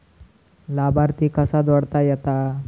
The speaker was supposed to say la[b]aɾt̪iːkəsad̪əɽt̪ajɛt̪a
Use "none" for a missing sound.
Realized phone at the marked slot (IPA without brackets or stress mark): b